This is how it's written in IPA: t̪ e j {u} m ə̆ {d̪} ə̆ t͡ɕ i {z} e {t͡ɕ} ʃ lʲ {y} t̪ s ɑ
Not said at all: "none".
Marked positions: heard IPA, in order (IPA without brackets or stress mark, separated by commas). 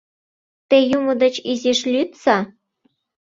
u, d̪, z, none, y